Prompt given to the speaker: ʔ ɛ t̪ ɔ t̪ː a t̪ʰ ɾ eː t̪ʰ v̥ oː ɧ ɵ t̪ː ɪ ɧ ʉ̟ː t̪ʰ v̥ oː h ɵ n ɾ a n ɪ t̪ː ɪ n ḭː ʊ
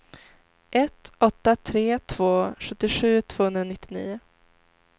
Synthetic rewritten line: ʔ ɛ t̪ ɔ t̪ː a t̪ʰ ɾ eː t̪ʰ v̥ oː ɧ ɵ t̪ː ɪ ɧ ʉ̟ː t̪ʰ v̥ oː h ɵ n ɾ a n ɪ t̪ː ɪ n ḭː ʊ